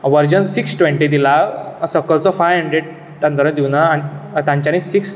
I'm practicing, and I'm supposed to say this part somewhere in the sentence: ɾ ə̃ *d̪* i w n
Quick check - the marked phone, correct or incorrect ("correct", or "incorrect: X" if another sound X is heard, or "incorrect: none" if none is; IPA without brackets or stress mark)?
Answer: correct